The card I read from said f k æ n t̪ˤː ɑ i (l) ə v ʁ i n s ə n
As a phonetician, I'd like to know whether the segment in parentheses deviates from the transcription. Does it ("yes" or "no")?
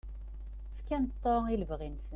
no